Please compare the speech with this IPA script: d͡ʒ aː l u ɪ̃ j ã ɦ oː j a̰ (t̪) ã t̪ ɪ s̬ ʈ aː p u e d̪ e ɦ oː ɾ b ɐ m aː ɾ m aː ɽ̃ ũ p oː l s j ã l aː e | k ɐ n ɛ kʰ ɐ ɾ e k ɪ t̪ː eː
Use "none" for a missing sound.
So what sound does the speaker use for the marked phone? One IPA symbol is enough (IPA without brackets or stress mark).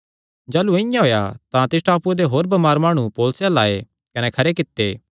t̪